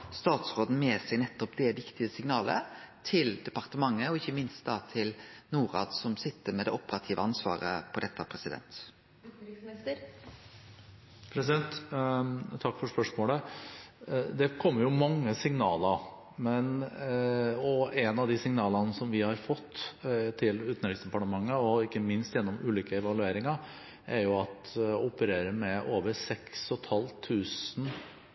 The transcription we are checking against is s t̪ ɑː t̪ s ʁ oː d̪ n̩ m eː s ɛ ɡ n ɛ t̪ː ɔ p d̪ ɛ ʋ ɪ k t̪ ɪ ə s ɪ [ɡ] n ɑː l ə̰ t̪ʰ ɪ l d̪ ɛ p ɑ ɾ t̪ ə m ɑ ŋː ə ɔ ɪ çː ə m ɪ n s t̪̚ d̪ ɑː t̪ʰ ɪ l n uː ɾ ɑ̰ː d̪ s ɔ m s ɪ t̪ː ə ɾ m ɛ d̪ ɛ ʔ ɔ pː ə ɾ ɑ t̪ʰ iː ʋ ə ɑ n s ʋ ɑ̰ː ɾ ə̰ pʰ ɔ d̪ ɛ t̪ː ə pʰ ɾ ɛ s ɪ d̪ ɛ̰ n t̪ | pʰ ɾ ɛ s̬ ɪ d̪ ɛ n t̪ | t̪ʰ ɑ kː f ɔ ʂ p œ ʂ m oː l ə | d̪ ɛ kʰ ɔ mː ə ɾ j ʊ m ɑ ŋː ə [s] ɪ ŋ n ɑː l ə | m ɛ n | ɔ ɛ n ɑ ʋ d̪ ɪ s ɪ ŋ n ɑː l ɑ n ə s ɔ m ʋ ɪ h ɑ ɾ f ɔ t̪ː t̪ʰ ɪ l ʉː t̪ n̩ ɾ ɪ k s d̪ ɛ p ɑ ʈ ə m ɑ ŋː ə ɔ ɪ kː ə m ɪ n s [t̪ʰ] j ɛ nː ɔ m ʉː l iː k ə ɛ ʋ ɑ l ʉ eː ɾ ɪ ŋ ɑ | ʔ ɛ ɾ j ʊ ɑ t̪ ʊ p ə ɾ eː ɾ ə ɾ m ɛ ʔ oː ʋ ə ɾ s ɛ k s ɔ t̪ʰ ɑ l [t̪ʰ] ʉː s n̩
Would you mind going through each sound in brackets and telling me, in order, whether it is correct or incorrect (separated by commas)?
incorrect, correct, incorrect, correct